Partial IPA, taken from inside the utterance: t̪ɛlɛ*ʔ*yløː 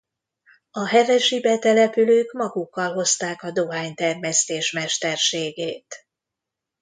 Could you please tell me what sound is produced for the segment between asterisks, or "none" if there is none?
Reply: p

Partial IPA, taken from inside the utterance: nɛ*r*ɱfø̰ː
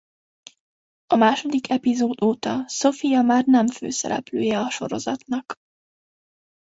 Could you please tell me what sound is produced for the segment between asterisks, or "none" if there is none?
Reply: none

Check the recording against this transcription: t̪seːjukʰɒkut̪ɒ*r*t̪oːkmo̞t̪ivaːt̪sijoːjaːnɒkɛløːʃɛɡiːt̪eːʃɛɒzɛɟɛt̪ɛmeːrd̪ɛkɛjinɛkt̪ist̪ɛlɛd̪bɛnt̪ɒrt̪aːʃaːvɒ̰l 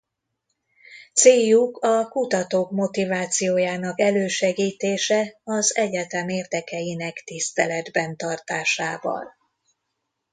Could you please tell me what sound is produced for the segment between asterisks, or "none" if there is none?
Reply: none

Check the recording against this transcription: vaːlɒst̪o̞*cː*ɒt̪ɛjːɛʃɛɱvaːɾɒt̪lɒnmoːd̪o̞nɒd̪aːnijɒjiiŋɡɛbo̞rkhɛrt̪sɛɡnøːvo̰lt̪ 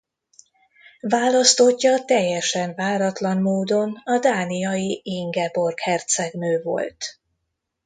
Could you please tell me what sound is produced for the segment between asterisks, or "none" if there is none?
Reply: cː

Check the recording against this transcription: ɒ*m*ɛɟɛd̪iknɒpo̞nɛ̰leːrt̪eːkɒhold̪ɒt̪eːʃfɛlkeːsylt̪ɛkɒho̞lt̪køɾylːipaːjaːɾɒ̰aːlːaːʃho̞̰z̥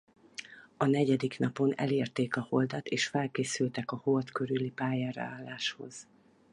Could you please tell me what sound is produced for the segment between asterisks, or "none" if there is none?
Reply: n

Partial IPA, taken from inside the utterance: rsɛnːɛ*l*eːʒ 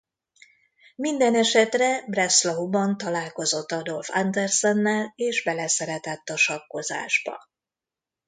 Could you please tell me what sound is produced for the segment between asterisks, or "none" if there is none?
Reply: l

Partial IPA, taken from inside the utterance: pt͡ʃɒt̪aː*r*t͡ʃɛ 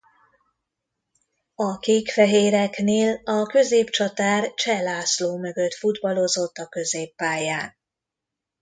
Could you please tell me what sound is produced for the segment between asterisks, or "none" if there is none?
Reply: r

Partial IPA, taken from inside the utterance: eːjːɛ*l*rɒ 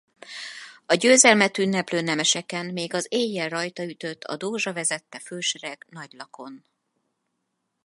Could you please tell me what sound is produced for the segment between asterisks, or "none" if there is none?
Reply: l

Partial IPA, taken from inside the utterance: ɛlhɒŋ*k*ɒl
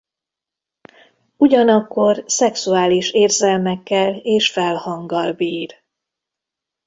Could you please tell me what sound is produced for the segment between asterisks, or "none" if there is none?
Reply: ɡ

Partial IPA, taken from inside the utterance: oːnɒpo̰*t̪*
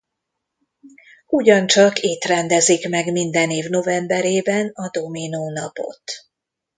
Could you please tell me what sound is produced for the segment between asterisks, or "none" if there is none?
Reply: t̪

